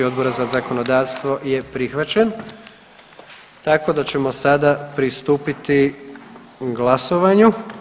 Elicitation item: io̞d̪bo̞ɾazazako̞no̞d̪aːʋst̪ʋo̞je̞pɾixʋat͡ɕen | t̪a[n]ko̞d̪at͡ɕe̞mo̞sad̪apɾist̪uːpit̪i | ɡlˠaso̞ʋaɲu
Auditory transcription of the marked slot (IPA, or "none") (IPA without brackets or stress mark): none